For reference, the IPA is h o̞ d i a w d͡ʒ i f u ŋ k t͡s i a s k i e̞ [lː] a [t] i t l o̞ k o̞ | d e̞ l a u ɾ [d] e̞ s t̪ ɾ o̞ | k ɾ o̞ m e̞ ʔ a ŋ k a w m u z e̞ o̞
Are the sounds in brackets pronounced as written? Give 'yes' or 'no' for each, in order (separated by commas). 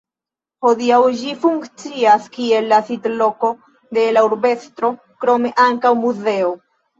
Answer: yes, no, no